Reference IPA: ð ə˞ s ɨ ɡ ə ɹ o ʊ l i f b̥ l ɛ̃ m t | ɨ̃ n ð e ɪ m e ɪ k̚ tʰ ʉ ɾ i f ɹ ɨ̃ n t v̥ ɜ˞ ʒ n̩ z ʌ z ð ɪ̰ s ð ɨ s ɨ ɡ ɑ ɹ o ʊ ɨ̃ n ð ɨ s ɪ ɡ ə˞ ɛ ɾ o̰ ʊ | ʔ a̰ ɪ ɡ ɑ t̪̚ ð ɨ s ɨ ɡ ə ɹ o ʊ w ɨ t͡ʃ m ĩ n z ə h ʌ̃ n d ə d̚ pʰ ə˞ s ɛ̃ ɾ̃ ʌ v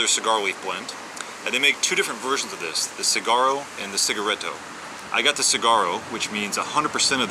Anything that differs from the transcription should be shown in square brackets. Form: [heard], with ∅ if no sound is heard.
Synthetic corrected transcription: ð ə˞ s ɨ ɡ [ɑ] ɹ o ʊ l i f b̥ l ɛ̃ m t | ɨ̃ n ð e ɪ m e ɪ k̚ tʰ ʉ ɾ [ɪ] f ɹ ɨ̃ n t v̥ ɜ˞ ʒ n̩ z ʌ [v] ð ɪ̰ s ð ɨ s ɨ ɡ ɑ ɹ o ʊ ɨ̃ n ð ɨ s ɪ ɡ ə˞ ɛ ɾ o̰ ʊ | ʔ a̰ ɪ ɡ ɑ t̪̚ ð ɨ s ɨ ɡ [ɑ] ɹ o ʊ w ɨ t͡ʃ m ĩ n z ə h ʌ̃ n d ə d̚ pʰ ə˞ s ɛ̃ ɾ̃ ʌ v